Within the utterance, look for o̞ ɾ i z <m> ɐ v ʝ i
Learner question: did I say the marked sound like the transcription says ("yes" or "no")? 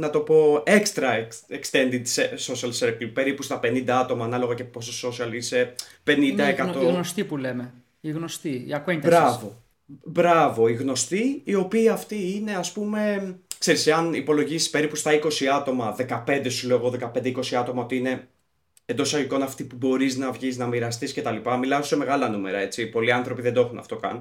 no